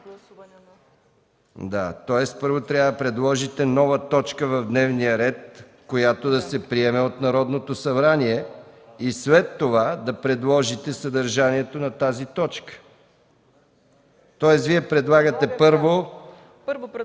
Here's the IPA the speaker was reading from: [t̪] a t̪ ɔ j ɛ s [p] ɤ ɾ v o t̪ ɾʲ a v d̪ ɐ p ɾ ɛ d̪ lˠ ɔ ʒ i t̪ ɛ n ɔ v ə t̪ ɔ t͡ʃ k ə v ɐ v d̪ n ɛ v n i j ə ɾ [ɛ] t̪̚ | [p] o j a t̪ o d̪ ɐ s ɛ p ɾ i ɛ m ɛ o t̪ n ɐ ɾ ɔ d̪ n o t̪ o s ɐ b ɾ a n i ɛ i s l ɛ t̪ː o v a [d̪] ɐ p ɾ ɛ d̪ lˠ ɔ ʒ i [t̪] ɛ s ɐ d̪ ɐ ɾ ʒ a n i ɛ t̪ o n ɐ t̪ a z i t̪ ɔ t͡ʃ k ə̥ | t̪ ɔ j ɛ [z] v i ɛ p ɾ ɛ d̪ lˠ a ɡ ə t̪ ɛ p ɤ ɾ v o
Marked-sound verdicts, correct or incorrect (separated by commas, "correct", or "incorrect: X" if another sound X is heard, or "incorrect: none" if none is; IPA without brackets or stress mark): incorrect: d̪, correct, correct, incorrect: k, correct, correct, incorrect: s